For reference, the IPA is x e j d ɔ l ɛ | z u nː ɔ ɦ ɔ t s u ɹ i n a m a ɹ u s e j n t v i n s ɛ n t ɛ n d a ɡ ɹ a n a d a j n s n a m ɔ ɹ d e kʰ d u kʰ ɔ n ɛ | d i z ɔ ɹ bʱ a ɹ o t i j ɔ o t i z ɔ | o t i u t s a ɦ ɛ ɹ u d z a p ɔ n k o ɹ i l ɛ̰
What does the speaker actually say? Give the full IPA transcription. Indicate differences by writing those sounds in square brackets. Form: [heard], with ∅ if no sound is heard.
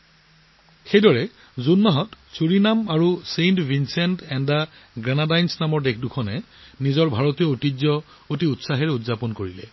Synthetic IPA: x e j d ɔ [ɹ] ɛ | z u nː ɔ ɦ ɔ t s u ɹ i n a m a ɹ u s e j n t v i n s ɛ n t ɛ n d a ɡ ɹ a n a d a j n s n a m ɔ ɹ d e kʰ d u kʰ ɔ n ɛ | [n] i z ɔ ɹ bʱ a ɹ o t i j ɔ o t i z ɔ | o t i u t s a ɦ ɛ ɹ u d z a p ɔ n k o ɹ i l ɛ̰

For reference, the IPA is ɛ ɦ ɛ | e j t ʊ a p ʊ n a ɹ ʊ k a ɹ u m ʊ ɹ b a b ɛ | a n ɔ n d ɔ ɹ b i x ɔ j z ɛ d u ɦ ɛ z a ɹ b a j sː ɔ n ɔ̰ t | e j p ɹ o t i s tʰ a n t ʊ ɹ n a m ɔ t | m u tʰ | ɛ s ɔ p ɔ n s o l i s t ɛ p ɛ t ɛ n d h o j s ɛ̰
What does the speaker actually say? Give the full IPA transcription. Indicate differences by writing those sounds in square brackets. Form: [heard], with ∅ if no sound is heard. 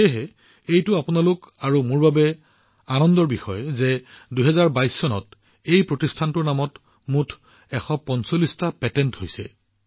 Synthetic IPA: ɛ ɦ ɛ | e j t ʊ a p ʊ n a [l] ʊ k a ɹ u m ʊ ɹ b a b ɛ | a n ɔ n d ɔ ɹ b i x ɔ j z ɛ d u ɦ ɛ z a ɹ b a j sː ɔ n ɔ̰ t | e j p ɹ o t i s tʰ a n t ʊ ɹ n a m ɔ t | m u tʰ | ɛ [x] ɔ p ɔ n s o l i s t [a] p ɛ t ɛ n [t] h o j s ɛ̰

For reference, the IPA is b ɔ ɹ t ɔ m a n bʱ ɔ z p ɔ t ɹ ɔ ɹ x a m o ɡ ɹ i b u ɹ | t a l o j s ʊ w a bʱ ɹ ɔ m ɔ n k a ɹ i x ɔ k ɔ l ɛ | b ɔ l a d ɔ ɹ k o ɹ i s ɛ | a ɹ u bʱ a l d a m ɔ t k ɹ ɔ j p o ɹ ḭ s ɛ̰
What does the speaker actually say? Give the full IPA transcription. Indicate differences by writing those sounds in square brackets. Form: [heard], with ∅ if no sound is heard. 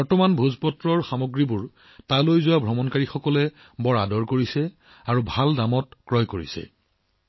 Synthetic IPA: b ɔ ɹ t ɔ m a n bʱ [u] z p ɔ t ɹ ɔ ɹ x a m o ɡ ɹ i b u ɹ | t a l o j [z] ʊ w a bʱ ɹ ɔ m ɔ n k a ɹ i x ɔ k ɔ l ɛ | b ɔ [ɹ] a d ɔ ɹ k o ɹ i s ɛ | a ɹ u bʱ a l d a m ɔ t k ɹ ɔ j [k] o ɹ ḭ s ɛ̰

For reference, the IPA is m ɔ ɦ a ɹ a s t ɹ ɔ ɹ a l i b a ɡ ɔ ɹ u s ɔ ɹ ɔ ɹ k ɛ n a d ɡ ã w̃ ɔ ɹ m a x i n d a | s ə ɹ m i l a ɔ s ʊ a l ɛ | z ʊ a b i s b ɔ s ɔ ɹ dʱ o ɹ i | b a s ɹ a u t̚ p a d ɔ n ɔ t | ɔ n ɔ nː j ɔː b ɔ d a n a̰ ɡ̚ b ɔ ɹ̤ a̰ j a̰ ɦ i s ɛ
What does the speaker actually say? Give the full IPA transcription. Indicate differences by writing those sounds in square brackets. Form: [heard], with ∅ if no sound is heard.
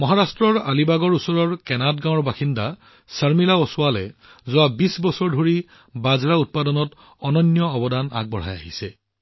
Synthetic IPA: m ɔ ɦ a ɹ a s t ɹ ɔ ɹ a l i b a ɡ ɔ ɹ u s ɔ ɹ ɔ ɹ k ɛ n a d ɡ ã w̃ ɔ ɹ [b] a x i n d a | s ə ɹ m i l a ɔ s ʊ a l ɛ | z ʊ a b i s b ɔ s ɔ ɹ dʱ o ɹ i | b a [z] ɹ a u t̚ p a d ɔ n ɔ t | ɔ n ɔ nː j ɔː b ɔ d a n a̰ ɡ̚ b ɔ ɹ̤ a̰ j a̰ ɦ i s ɛ

